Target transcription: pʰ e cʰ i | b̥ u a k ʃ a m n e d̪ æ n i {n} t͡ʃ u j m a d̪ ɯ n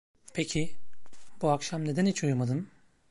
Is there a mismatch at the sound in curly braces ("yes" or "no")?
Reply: yes